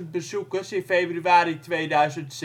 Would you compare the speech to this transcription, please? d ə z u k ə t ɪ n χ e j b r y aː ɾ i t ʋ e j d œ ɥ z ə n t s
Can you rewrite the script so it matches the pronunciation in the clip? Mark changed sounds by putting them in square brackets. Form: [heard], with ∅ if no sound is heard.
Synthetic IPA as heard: [b] ə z u k ə [s] ɪ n [f] e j b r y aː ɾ i t ʋ e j d œ ɥ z ə n t s